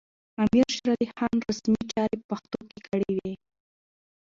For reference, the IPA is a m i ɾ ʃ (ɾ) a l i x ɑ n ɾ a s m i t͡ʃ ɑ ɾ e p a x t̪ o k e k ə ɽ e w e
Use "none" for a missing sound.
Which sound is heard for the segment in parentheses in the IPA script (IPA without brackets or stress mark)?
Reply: ɾ